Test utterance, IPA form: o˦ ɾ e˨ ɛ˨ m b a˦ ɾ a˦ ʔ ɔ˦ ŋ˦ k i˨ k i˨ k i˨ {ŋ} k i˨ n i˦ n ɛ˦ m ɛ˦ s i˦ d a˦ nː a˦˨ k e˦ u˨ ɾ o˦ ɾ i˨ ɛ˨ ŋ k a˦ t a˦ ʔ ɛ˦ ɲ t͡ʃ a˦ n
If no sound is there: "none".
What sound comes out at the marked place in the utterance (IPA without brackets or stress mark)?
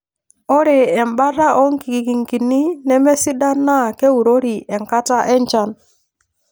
ŋ